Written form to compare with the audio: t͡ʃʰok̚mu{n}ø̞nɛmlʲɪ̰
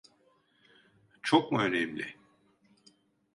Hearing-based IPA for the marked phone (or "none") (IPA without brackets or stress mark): none